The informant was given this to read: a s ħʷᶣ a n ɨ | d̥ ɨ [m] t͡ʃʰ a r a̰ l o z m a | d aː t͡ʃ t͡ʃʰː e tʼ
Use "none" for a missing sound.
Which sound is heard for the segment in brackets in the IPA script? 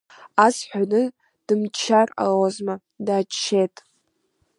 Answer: m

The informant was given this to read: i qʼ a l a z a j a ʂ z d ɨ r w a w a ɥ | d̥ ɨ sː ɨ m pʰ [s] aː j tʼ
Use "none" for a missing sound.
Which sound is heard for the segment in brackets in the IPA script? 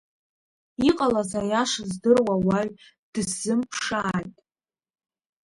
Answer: ʂ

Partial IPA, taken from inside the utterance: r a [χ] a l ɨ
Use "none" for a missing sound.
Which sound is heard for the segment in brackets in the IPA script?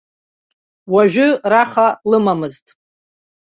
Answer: χ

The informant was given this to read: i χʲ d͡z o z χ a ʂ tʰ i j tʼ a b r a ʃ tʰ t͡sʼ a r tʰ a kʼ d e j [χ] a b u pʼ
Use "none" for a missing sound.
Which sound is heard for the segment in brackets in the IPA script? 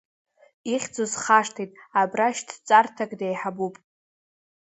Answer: ħ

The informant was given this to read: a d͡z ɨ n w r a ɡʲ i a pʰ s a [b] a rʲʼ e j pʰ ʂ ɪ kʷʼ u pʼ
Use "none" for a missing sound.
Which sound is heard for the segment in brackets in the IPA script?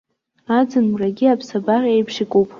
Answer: b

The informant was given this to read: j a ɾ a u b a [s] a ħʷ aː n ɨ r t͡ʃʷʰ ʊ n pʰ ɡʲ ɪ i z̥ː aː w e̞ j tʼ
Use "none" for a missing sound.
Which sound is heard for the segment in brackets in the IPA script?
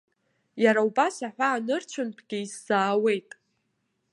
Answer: s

